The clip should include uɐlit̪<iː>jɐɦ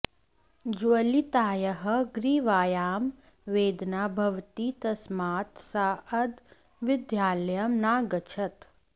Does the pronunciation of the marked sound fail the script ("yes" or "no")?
yes